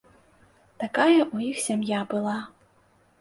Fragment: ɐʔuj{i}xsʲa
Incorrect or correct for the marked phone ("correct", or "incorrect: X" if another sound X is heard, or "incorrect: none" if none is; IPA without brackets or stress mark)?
correct